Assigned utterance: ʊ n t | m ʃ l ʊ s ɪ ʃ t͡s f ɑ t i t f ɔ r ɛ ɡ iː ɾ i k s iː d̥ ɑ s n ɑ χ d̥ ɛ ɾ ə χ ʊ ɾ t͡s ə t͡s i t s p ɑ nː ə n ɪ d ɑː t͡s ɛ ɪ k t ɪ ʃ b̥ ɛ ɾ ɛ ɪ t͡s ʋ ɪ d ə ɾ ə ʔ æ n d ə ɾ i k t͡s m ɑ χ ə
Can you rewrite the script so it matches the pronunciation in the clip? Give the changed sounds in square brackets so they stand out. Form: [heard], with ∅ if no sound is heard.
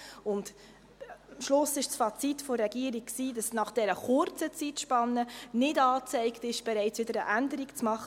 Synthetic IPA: ʊ n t | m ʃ l ʊ s ɪ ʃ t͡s f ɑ [t͡s] i t f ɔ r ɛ ɡ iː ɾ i k s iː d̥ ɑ s n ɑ χ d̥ ɛ ɾ ə χ ʊ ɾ t͡s ə t͡s i t [ʃ] p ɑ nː ə n ɪ d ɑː t͡s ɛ ɪ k t ɪ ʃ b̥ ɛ ɾ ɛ ɪ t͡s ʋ ɪ d ə ɾ ə ʔ æ n d ə ɾ i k t͡s m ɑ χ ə